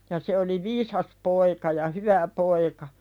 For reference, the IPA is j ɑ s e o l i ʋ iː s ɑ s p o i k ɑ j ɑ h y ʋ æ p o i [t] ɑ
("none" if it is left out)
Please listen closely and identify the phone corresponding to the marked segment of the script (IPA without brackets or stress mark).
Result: k